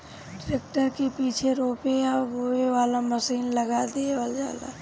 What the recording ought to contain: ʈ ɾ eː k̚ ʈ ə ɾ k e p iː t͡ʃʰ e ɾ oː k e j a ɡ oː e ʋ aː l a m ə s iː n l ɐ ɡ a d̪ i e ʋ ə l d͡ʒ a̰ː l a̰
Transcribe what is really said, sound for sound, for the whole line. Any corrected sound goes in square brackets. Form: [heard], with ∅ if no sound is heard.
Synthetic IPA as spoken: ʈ ɾ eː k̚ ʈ ə ɾ k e p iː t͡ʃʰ e ɾ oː [p] e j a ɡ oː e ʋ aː l a m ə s iː n l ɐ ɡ a d̪ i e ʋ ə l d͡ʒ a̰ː l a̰